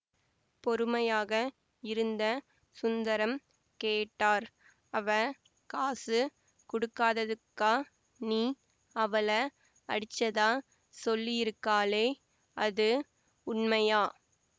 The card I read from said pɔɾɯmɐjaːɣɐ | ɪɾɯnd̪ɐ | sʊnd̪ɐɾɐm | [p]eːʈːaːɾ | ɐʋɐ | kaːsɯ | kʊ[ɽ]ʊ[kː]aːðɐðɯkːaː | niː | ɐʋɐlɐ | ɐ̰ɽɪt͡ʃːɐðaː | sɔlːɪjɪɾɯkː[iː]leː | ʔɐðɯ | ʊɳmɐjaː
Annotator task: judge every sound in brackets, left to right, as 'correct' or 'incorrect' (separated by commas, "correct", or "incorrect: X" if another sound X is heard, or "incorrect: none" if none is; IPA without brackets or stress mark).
incorrect: k, correct, correct, incorrect: aː